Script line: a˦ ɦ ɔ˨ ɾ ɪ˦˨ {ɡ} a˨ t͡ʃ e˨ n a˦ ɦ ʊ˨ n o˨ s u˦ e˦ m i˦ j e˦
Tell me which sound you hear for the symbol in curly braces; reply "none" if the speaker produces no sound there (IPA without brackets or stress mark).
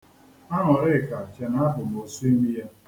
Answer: k